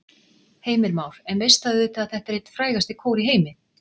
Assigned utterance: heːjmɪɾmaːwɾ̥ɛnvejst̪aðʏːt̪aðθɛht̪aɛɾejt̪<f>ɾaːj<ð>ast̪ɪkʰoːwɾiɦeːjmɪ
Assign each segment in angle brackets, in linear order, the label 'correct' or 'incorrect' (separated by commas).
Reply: correct, incorrect